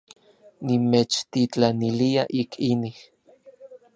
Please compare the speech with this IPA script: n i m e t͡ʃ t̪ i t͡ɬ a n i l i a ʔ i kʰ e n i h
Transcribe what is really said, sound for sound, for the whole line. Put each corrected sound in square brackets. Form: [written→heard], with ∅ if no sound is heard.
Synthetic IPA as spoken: n i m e t͡ʃ t̪ i t͡ɬ a n i l i a ʔ i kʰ [e→i] n i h